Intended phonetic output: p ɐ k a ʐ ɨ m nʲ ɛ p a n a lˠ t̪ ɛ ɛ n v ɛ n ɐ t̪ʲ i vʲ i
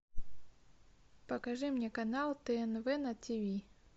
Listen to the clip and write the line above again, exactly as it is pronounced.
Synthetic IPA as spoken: p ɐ k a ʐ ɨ m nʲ ɛ k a n a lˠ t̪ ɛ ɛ n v ɛ n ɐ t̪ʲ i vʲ i